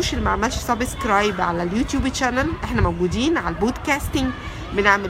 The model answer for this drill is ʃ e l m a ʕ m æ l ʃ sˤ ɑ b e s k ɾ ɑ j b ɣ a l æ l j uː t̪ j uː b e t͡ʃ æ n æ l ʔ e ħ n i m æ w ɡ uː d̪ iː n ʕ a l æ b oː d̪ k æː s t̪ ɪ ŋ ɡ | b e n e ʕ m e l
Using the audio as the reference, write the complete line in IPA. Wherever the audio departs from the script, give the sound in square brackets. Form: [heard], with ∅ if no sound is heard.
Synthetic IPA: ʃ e l m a ʕ m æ l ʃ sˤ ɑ b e s k ɾ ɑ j b [ʕ] a l æ l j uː t̪ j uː b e t͡ʃ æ n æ l ʔ e ħ n [æ] m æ w ɡ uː d̪ iː n ʕ a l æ b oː d̪ k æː s t̪ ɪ ŋ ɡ | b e n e ʕ m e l